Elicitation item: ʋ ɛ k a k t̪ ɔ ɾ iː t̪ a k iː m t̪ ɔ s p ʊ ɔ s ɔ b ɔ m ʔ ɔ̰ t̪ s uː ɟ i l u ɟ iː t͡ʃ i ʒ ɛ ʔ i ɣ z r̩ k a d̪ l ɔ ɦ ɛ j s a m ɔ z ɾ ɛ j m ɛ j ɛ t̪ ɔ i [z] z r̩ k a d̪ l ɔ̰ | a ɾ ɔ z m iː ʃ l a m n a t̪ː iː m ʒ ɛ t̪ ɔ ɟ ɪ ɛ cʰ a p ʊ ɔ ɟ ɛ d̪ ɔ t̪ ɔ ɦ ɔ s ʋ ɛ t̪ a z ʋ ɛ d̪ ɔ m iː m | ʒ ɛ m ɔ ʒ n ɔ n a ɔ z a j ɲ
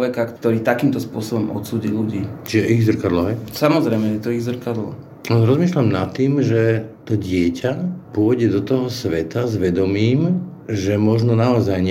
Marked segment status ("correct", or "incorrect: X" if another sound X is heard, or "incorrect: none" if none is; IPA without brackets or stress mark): incorrect: ɣ